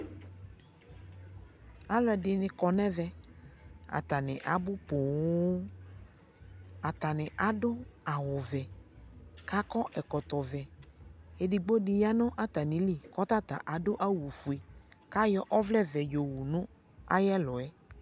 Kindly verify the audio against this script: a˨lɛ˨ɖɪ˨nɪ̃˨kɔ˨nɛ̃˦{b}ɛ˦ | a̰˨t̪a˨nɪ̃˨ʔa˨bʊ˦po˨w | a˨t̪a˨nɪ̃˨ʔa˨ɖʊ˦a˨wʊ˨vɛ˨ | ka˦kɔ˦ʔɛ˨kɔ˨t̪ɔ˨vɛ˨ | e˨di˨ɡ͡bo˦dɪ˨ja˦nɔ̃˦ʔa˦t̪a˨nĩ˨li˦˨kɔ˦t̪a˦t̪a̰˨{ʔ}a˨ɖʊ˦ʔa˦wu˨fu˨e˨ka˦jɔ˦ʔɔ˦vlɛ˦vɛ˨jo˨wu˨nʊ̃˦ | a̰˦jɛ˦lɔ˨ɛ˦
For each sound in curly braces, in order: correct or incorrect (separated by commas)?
incorrect, correct